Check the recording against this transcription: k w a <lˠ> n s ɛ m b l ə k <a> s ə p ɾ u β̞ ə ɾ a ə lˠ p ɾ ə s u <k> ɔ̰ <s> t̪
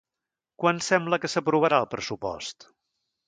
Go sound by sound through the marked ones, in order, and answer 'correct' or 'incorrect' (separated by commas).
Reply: incorrect, incorrect, incorrect, correct